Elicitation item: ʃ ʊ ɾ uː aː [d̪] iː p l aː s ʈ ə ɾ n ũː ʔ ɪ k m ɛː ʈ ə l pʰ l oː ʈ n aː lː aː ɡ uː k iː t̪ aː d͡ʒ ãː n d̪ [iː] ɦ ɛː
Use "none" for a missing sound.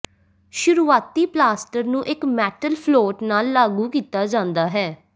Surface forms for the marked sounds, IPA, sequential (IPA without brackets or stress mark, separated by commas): t̪, aː